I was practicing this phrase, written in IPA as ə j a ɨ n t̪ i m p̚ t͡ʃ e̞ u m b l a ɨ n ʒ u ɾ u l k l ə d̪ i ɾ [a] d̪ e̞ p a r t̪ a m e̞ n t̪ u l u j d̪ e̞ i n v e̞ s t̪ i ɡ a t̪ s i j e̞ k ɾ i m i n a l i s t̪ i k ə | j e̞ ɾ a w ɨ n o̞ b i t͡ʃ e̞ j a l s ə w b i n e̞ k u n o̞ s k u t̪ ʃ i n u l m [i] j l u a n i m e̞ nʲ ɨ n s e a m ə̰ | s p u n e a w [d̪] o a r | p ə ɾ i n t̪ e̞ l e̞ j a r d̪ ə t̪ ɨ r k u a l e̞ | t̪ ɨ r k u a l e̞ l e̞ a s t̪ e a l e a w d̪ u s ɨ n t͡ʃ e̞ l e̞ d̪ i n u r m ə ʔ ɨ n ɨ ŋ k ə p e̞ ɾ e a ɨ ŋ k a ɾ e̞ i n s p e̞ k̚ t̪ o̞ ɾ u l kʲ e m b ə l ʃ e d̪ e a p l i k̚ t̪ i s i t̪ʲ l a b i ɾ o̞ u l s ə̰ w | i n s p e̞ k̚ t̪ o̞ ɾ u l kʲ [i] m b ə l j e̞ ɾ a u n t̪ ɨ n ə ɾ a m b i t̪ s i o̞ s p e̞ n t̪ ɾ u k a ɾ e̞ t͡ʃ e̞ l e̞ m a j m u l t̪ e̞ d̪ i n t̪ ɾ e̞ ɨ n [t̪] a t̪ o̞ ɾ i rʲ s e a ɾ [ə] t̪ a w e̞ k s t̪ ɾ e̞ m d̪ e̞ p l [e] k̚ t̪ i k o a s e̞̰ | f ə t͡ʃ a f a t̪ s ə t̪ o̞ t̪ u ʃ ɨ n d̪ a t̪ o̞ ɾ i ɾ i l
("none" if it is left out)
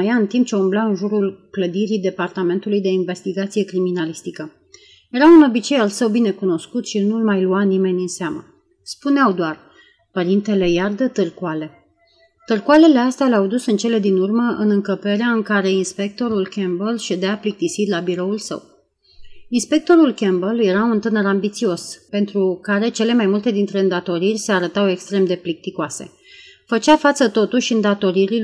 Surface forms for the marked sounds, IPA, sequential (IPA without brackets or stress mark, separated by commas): i, a, d̪, e, d̪, ə, i